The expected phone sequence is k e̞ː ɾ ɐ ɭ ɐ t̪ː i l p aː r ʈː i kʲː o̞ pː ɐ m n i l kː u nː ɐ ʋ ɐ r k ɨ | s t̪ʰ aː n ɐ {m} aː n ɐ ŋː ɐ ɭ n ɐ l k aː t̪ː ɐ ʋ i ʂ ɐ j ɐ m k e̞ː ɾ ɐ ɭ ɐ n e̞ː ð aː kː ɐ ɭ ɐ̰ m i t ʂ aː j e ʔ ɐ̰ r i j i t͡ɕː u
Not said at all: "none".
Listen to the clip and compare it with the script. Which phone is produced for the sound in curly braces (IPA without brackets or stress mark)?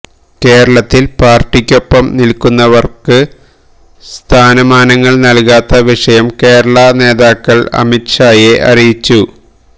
m